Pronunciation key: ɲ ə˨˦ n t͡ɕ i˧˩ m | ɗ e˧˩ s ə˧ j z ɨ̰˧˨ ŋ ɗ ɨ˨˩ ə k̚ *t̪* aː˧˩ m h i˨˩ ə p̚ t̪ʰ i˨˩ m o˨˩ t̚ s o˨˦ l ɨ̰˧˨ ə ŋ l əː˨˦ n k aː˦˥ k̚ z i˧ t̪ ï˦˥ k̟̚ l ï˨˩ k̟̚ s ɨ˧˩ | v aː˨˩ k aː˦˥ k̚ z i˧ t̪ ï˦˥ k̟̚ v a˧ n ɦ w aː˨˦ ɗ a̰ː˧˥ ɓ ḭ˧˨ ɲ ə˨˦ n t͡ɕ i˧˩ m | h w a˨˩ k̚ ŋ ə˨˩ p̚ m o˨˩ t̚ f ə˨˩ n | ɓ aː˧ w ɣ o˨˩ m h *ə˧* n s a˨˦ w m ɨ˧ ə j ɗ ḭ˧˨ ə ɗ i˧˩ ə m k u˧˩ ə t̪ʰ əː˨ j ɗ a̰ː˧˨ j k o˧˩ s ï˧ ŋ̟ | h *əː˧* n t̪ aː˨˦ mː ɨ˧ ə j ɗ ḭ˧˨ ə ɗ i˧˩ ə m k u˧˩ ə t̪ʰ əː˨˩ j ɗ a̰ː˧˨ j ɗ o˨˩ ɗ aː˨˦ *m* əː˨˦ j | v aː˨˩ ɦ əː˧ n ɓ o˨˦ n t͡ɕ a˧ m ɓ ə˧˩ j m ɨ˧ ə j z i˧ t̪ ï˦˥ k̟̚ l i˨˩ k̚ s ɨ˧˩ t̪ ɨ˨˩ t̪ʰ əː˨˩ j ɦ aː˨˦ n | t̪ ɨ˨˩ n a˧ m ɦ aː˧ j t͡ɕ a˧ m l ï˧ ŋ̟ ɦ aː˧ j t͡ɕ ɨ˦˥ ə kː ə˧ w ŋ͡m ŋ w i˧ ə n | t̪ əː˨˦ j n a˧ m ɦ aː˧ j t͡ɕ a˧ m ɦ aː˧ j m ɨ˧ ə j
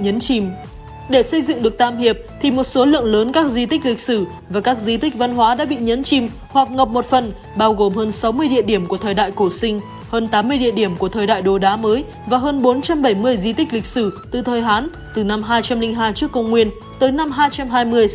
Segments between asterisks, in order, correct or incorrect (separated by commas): correct, incorrect, correct, correct